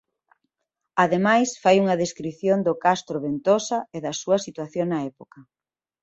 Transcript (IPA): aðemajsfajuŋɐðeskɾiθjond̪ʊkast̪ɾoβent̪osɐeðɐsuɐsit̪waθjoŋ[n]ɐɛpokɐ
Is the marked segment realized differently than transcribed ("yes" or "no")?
no